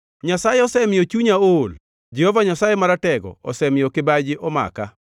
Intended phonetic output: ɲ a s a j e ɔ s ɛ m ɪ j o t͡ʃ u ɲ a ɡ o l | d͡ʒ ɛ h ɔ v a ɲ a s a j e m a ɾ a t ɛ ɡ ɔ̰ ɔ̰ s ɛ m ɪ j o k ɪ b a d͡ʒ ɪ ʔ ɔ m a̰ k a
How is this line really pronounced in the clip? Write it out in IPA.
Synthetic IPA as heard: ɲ a s a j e ɔ s ɛ m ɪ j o t͡ʃ u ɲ a o l | d͡ʒ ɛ h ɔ v a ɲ a s a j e m a ɾ a t ɛ ɡ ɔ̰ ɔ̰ s ɛ m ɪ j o k ɪ b a d͡ʒ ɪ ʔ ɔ m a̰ k a